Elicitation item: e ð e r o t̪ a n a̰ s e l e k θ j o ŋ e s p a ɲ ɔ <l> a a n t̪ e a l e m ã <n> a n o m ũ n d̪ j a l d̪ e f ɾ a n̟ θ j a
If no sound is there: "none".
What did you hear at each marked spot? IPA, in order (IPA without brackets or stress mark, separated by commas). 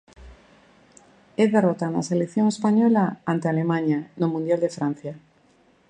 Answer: l, ɲ